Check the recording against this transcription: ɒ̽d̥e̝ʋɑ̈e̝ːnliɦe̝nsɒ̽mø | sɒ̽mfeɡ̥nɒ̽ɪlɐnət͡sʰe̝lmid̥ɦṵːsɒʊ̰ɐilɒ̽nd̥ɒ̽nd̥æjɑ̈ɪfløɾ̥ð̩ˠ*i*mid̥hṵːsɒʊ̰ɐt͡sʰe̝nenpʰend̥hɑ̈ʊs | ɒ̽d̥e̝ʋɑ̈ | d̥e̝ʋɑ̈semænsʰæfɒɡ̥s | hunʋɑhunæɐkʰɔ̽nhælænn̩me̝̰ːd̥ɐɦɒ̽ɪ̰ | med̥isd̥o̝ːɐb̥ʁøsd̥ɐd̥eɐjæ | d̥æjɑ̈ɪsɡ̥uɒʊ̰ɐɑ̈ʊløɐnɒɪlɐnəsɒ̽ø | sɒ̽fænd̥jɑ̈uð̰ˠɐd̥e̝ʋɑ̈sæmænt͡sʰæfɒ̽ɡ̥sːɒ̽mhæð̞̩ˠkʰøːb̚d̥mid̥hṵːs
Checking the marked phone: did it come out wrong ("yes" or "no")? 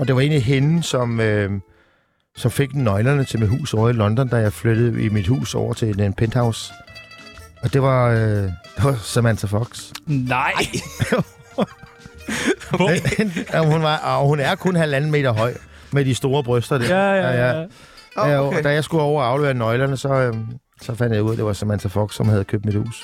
no